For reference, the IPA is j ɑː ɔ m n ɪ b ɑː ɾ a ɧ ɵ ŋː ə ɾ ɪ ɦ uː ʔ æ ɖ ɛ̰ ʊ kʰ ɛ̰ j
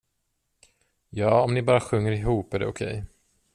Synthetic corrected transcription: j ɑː ɔ m n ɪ b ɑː ɾ a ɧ ɵ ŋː ə ɾ ɪ ɦ uː p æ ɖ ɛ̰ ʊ kʰ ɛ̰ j